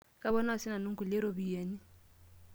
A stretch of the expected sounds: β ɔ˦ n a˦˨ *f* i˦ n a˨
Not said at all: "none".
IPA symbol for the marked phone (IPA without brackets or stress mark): s